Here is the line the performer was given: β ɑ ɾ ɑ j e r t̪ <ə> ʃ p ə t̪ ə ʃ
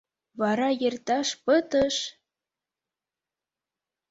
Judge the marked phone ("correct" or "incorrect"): incorrect